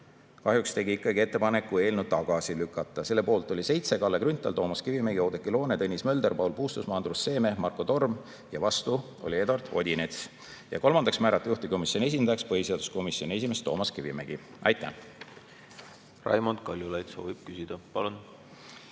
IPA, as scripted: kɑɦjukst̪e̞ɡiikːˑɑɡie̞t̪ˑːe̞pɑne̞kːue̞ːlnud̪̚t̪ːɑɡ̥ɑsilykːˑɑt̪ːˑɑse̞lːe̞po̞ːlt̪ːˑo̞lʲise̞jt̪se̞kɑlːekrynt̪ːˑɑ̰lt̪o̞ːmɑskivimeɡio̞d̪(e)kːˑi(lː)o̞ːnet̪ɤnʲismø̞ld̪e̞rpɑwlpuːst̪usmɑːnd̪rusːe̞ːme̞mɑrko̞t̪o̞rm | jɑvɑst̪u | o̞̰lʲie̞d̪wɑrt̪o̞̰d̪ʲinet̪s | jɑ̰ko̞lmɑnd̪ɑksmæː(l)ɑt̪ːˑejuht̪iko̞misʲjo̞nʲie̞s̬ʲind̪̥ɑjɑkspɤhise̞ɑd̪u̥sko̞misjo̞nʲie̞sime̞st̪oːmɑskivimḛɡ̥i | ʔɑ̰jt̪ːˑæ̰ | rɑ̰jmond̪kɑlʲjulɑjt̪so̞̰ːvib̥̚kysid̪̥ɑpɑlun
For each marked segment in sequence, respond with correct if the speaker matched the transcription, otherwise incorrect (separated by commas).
correct, incorrect, incorrect